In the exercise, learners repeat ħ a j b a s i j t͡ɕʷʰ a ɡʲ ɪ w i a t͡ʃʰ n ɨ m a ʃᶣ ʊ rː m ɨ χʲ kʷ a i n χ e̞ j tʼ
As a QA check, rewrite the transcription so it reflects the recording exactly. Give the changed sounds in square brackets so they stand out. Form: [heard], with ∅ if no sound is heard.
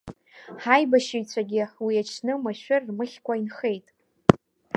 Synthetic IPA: ħ a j b a [ʃ] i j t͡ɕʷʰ a ɡʲ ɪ w i a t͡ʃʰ n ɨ m a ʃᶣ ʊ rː m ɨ χʲ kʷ a i n χ e̞ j tʼ